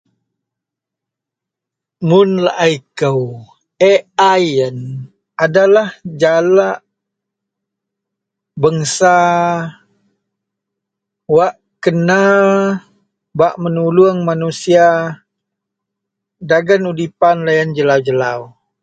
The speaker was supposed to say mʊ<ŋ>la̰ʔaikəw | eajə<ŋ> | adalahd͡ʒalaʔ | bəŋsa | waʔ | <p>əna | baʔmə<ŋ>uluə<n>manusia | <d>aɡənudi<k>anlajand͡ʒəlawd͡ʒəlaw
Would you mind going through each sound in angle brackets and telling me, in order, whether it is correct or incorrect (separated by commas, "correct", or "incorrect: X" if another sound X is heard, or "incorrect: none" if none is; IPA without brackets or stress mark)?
incorrect: n, incorrect: n, incorrect: k, incorrect: n, incorrect: ŋ, correct, incorrect: p